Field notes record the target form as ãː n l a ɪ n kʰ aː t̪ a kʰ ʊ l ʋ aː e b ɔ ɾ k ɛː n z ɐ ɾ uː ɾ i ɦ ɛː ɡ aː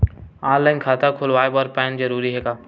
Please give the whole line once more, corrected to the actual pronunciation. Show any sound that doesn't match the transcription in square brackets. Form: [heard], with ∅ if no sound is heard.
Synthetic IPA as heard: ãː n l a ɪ n kʰ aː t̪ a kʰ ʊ l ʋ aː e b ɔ ɾ [p] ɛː n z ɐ ɾ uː ɾ i ɦ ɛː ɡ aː